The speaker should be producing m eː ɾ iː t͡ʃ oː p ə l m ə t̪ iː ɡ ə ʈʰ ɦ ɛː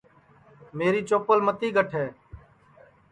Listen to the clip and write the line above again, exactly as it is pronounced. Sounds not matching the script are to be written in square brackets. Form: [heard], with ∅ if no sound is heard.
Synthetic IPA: m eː ɾ iː t͡ʃ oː p ə l m ə t̪ iː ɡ ə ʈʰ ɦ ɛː

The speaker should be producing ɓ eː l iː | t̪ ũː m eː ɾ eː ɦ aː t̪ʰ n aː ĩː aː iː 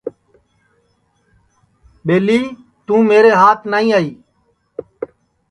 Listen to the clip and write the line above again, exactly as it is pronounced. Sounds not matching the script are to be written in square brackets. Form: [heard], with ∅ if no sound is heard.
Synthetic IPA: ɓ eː l iː | t̪ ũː m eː ɾ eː ɦ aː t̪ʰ n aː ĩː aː iː

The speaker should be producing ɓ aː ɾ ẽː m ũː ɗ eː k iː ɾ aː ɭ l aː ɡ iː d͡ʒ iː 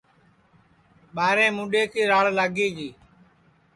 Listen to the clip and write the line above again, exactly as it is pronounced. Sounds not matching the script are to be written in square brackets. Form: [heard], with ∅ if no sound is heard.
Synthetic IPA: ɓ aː ɾ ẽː m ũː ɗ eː k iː ɾ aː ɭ l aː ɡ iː d͡ʒ iː

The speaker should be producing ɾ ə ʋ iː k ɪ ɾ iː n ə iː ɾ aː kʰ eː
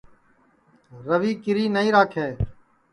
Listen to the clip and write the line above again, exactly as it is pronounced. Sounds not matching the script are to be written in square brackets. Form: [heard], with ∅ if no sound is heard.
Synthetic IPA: ɾ ə ʋ iː k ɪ ɾ iː n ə iː ɾ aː kʰ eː

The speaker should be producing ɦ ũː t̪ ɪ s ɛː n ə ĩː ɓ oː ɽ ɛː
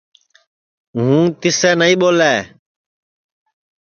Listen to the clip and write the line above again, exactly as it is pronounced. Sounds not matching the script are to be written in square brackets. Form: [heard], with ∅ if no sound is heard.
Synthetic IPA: ɦ ũː t̪ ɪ s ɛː n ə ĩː ɓ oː [l] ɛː

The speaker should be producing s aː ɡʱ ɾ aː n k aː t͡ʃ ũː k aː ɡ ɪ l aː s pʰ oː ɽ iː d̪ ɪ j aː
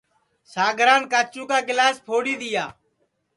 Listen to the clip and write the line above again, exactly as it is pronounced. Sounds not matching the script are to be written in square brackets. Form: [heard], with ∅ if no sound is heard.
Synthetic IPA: s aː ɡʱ ɾ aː n k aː t͡ʃ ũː k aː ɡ ɪ l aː s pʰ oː ɽ iː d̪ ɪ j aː

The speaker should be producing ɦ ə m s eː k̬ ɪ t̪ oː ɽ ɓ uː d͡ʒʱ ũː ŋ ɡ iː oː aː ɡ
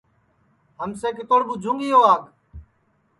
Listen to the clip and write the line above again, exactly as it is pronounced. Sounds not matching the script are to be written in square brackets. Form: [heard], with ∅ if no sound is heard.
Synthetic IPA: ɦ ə m s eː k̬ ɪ t̪ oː ɽ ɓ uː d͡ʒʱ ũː ŋ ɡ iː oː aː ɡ

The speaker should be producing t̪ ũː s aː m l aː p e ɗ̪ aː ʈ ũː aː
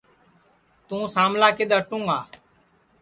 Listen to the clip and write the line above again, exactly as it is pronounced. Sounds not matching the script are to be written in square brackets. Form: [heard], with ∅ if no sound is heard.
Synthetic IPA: t̪ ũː s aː m l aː [k] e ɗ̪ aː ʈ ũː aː

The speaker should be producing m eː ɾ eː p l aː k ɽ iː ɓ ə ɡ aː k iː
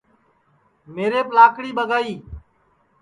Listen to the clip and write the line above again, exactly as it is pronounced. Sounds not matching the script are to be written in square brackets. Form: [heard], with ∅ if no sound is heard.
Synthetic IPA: m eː ɾ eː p l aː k ɽ iː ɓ ə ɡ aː [∅] iː

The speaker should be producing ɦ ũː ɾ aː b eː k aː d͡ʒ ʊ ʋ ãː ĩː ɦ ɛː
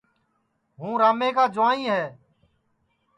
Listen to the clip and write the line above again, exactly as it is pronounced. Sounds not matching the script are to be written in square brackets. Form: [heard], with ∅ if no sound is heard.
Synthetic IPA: ɦ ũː ɾ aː [m] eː k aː d͡ʒ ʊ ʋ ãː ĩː ɦ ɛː

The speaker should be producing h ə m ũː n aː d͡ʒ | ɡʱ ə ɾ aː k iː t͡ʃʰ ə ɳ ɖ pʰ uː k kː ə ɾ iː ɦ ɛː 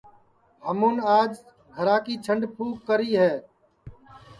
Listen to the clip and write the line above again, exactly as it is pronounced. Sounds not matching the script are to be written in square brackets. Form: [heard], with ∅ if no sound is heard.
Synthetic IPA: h ə m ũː n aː d͡ʒ | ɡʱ ə ɾ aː k iː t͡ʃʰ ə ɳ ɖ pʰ uː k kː ə ɾ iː ɦ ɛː

